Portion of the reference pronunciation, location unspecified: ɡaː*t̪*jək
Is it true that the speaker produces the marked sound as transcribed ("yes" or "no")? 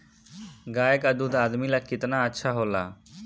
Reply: no